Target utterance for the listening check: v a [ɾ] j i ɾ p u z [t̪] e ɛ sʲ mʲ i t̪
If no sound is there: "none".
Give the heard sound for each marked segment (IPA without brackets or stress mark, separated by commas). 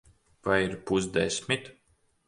none, d̪